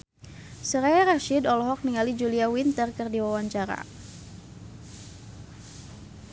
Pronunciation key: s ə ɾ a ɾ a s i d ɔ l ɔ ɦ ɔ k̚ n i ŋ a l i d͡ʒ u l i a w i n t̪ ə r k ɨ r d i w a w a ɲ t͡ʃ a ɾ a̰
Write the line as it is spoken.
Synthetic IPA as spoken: s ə ɾ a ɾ a ʃ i d ɔ l ɔ ɦ ɔ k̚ n i ŋ a l i d͡ʒ u l i a w i n t̪ ə r k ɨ r d i w a w a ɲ t͡ʃ a ɾ a̰